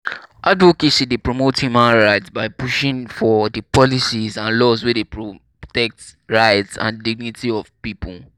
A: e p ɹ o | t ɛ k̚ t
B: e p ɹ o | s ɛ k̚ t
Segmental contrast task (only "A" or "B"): A